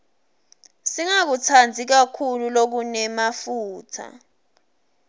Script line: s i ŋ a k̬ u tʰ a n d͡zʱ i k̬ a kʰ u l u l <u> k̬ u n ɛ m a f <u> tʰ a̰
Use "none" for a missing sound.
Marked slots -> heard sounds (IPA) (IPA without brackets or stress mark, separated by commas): o, uː